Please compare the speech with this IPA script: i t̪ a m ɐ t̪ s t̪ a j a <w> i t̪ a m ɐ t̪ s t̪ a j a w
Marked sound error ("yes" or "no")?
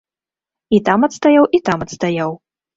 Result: no